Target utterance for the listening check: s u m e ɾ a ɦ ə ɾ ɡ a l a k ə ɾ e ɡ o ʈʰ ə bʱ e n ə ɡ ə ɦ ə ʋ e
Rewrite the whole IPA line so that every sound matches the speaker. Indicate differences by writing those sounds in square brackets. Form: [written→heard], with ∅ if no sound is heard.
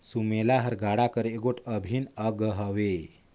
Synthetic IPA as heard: s u m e [ɾ→l] a ɦ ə ɾ ɡ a [l→ɽ] a k ə ɾ e ɡ o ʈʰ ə bʱ [e→i] n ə ɡ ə ɦ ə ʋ e